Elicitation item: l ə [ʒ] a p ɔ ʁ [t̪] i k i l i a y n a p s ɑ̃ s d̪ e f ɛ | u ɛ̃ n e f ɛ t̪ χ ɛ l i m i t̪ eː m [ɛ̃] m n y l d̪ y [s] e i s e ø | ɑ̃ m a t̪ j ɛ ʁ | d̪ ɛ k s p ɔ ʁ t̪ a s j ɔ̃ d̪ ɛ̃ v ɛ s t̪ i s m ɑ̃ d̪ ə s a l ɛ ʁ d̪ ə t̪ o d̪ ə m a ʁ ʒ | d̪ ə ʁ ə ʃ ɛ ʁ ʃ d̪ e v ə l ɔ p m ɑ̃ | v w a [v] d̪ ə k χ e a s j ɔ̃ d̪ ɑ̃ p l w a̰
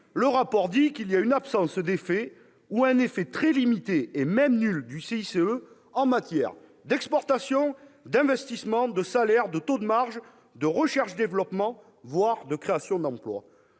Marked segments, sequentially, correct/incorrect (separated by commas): incorrect, incorrect, incorrect, correct, incorrect